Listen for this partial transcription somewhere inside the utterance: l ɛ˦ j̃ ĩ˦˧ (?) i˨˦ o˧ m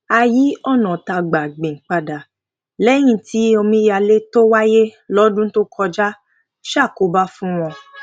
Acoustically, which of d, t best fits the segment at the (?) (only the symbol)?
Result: t